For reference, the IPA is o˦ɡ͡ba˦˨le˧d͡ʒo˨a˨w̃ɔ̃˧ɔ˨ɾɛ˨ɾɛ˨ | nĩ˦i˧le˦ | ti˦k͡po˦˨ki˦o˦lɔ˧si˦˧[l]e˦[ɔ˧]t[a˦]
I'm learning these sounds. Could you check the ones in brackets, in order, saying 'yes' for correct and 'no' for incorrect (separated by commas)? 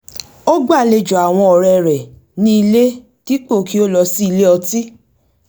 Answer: yes, yes, no